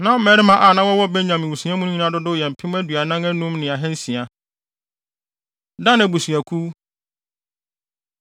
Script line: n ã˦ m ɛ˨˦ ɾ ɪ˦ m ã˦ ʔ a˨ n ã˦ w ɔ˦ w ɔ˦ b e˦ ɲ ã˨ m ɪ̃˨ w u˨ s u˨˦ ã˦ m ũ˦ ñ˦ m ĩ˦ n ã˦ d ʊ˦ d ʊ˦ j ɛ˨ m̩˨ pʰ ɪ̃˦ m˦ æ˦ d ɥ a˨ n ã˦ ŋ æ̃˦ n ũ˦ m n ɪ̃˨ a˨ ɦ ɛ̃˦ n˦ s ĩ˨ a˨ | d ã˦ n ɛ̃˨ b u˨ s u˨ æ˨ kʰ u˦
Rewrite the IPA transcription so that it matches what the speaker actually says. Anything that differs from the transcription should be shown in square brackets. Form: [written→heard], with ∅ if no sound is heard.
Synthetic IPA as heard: n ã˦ m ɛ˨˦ ɾ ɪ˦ m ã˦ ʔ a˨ n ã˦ w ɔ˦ w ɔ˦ b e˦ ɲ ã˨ m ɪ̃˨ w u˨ s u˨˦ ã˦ m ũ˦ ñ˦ [m→ɲ] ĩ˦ n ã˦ d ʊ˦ d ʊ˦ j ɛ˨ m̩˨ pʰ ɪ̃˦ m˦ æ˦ d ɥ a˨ n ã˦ ŋ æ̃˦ n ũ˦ m n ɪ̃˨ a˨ ɦ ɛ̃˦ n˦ s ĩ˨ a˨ | d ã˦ n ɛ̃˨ b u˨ s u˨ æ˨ kʰ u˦